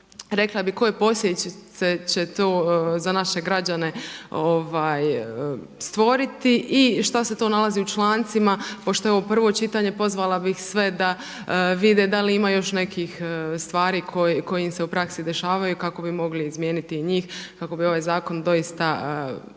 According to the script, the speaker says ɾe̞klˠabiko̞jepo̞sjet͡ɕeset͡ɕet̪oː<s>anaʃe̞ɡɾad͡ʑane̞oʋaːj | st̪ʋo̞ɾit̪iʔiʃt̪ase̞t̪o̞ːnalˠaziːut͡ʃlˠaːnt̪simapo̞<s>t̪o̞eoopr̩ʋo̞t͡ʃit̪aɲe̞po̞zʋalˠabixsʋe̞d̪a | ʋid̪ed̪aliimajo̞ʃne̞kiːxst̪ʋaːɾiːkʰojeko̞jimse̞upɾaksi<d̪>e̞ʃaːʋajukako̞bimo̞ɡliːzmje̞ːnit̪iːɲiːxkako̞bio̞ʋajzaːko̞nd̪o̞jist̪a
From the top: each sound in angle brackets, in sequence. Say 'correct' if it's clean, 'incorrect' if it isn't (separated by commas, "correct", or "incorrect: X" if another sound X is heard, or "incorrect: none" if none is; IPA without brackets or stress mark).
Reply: incorrect: z, incorrect: ʃ, correct